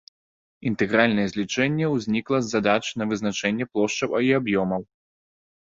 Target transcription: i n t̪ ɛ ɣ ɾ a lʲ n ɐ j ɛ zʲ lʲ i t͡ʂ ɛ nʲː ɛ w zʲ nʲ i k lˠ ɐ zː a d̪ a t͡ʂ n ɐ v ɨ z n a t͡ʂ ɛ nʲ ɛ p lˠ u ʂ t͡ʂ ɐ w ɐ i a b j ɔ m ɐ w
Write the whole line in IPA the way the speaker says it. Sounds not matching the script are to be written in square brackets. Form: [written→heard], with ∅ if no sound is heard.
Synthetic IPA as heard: i n t̪ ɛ ɣ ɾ a lʲ n ɐ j ɛ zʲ lʲ i t͡ʂ ɛ nʲː ɛ w zʲ nʲ i k lˠ ɐ zː a d̪ a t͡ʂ n ɐ v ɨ z n a t͡ʂ ɛ [nʲ→nʲː] ɛ p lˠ [u→ɔ] ʂ t͡ʂ ɐ w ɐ i a b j ɔ m ɐ w